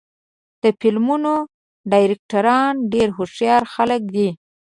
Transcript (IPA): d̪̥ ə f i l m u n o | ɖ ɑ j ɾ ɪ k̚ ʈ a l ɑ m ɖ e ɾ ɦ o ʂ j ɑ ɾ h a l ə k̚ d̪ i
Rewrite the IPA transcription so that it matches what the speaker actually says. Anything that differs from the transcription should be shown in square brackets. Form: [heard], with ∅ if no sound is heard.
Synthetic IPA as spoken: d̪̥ ə f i l m u n o | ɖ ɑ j ɾ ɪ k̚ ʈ a [ɾ] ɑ [n] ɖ e ɾ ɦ o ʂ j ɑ ɾ [x] a l ə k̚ d̪ i